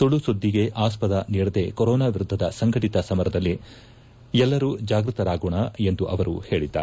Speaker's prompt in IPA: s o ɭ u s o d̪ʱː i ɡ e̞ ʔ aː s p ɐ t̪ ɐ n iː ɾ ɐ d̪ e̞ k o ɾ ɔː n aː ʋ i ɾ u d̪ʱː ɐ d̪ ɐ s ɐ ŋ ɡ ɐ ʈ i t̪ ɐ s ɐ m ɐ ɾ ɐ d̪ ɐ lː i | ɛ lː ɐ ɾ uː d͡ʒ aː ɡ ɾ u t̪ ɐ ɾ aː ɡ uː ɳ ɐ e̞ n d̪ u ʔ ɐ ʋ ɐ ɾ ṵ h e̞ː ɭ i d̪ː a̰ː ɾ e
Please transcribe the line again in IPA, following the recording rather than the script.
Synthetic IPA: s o ɭ u s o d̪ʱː i ɡ e̞ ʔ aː s p ɐ d̪ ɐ n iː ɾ ɐ d̪ e̞ k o ɾ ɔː n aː ʋ i ɾ u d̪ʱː ɐ d̪ ɐ s ɐ ŋ ɡ ɐ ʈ i t̪ ɐ s ɐ m ɐ ɾ ɐ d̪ ɐ lː i | ɛ lː ɐ ɾ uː d͡ʒ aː ɡ ɾ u t̪ ɐ ɾ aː ɡ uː ɳ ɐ e̞ n d̪ u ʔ ɐ ʋ ɐ ɾ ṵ h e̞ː ɭ i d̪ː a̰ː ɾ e